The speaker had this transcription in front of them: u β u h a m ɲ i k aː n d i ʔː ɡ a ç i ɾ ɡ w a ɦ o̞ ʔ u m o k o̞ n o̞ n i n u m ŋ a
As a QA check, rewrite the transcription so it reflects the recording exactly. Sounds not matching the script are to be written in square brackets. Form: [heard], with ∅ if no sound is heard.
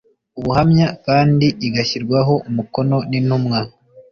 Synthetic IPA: u β u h a m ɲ [a] k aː n d i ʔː ɡ a ç i ɾ ɡ w a ɦ o̞ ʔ u m [u] k o̞ n o̞ n i n u m ŋ a